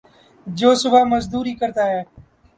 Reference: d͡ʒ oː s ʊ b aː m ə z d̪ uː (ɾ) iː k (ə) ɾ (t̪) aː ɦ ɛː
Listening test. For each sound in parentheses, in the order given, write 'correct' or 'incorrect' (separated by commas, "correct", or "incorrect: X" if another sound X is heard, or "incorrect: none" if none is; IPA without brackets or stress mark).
correct, correct, correct